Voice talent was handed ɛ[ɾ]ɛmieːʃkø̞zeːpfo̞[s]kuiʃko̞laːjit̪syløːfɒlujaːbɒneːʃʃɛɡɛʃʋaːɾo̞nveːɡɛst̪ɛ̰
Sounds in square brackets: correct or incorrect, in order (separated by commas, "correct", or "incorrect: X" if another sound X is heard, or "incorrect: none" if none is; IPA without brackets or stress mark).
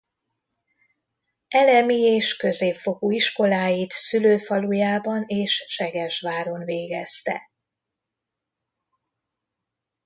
incorrect: l, incorrect: none